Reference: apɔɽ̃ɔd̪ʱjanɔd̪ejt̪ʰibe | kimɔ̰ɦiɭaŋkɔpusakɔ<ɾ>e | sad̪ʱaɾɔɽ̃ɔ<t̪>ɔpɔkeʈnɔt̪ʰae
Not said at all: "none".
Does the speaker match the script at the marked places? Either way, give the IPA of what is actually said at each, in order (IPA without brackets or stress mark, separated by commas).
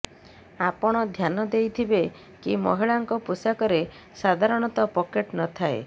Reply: ɾ, t̪